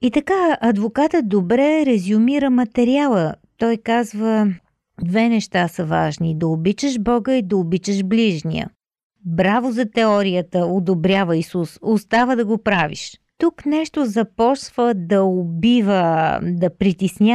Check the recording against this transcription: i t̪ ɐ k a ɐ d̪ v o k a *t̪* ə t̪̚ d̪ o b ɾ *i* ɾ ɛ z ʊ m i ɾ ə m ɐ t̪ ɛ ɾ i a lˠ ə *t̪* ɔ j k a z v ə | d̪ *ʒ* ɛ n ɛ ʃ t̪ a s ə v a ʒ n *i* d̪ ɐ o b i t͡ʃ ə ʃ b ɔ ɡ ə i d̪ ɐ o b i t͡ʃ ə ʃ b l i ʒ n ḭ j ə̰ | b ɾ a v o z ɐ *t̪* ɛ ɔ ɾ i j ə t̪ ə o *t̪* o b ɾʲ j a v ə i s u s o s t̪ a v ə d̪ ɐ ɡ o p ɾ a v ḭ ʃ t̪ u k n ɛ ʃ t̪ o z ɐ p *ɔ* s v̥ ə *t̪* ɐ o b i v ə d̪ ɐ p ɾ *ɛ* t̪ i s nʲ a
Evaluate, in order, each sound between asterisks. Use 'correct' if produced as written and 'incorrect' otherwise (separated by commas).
correct, incorrect, correct, incorrect, correct, correct, incorrect, correct, incorrect, incorrect